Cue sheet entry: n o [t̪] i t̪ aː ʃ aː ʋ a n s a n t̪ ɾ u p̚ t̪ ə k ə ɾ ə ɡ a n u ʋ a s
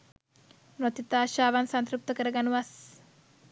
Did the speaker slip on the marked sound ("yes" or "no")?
no